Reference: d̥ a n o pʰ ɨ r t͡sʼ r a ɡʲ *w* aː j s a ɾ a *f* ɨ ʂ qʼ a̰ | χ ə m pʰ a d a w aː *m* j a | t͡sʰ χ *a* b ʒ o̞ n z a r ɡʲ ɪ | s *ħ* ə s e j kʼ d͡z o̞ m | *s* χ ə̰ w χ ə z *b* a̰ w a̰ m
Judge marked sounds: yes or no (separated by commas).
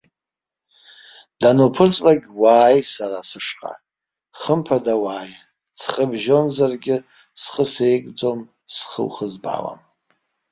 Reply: yes, no, no, no, no, yes, yes